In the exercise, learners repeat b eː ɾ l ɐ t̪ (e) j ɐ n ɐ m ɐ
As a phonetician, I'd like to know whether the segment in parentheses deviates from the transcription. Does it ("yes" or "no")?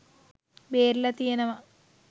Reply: yes